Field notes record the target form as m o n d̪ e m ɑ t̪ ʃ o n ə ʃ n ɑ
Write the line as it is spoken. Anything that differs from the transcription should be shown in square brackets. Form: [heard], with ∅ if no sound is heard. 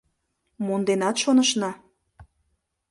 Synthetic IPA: m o n d̪ e [n] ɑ t̪ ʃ o n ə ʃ n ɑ